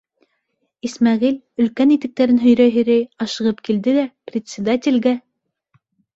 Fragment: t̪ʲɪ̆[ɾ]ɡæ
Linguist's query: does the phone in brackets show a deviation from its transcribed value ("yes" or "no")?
yes